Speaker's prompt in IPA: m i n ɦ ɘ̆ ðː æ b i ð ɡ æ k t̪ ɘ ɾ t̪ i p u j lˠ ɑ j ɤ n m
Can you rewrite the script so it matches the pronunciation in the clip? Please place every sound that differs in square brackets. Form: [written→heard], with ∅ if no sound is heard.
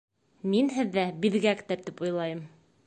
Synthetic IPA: m i n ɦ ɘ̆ ðː æ b i ð ɡ æ k t̪ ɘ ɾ t̪ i p u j lˠ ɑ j ɤ [n→∅] m